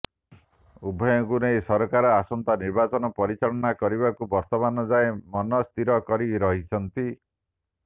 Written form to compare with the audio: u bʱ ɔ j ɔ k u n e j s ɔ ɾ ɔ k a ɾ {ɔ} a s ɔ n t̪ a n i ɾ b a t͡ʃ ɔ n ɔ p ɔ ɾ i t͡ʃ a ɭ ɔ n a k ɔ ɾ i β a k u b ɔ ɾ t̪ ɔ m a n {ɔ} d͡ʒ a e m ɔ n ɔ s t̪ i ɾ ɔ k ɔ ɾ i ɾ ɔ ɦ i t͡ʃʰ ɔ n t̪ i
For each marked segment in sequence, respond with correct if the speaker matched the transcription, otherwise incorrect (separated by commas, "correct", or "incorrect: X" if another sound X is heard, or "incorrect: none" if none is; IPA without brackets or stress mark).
correct, correct